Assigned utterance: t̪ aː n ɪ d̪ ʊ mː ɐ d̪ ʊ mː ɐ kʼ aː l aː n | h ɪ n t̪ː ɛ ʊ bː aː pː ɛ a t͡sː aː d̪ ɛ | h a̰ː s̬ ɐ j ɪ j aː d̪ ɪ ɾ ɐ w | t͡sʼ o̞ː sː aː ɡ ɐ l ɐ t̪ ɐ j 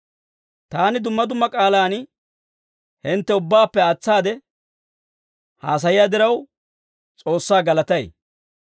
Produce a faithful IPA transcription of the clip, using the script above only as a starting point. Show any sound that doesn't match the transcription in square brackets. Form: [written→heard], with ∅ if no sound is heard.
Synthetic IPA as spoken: t̪ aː n ɪ d̪ ʊ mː ɐ d̪ ʊ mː ɐ kʼ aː l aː n | h ɪ n t̪ː ɛ ʊ bː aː pː ɛ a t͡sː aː d̪ ɛ | h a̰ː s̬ ɐ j ɪ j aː d̪ ɪ ɾ ɐ w | t͡sʼ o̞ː sː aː ɡ ɐ l ɐ t̪ ɐ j